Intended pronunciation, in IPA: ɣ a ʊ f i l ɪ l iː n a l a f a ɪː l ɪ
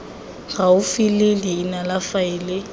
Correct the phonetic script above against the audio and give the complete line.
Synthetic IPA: ɣ a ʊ f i l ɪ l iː n a l a f a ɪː l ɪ